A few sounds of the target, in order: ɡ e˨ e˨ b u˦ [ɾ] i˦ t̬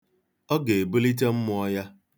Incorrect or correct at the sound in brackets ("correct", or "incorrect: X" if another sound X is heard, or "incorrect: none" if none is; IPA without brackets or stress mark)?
incorrect: l